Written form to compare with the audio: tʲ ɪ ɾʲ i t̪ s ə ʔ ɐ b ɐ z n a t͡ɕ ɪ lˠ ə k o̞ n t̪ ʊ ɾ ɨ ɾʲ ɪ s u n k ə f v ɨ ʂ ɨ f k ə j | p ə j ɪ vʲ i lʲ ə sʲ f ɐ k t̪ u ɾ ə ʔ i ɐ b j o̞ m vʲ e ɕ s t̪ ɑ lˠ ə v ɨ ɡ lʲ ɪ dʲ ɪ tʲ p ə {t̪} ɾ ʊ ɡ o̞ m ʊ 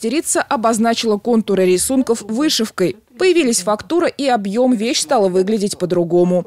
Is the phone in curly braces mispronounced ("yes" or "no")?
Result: yes